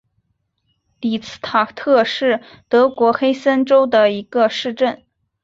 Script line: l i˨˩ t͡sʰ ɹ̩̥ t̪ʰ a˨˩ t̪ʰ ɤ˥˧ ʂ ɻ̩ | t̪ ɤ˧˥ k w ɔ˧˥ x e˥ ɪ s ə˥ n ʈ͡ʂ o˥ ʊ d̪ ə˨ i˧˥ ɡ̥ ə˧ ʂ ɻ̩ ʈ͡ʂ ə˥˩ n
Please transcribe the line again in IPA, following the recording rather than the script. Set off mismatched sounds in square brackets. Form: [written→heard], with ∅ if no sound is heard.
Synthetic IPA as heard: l i˨˩ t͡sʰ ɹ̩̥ t̪ʰ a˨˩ t̪ʰ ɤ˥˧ ʂ ɻ̩ | t̪ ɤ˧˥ k w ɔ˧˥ x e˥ ɪ s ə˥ n ʈ͡ʂ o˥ ʊ d̪ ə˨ i˧˥ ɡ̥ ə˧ ʂ ɻ̩ ʈ͡ʂ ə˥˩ n